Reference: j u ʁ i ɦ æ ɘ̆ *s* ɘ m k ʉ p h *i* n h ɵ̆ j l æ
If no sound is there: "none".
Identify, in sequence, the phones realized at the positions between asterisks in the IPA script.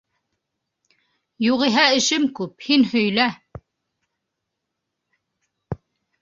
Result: ʃ, i

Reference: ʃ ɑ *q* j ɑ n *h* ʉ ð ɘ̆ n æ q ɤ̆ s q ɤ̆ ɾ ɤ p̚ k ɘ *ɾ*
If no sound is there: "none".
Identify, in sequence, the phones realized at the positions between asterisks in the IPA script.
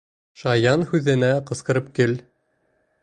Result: none, h, l

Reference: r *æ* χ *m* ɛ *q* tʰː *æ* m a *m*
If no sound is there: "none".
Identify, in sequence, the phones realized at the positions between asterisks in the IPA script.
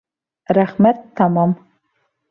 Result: a, m, t, a, m

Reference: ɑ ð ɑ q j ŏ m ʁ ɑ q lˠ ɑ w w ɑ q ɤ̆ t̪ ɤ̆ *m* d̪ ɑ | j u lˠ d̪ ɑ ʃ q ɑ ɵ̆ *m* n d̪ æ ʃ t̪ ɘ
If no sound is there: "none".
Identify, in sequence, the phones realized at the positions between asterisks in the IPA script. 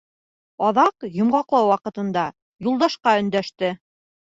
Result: n, none

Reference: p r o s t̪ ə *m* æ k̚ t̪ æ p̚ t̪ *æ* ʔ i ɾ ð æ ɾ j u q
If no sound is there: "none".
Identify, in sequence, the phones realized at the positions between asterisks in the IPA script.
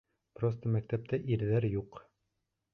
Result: m, æ

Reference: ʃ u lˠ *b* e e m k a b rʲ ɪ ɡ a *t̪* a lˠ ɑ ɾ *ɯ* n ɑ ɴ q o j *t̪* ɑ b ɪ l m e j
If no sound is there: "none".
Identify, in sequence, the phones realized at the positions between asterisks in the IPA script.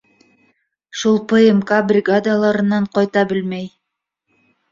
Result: p, d̪, ɯ, t̪

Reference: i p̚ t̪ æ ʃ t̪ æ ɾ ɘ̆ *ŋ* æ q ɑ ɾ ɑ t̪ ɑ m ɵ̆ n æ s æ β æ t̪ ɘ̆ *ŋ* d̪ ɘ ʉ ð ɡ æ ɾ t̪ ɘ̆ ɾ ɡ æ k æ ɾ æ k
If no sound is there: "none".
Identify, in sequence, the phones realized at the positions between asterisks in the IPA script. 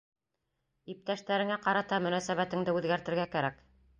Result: ŋ, ŋ

